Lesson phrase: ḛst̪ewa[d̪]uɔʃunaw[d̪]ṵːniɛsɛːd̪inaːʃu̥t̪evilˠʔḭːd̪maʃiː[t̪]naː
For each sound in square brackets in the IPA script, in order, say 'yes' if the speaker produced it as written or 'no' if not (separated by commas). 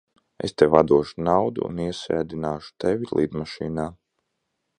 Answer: yes, yes, no